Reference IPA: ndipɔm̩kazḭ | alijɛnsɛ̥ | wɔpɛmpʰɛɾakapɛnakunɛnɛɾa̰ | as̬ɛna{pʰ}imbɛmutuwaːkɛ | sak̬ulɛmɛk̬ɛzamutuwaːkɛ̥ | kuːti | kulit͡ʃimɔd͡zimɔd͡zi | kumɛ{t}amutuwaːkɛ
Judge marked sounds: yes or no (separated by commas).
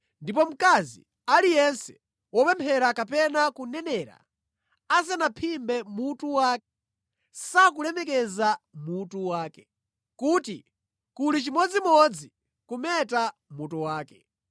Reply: yes, yes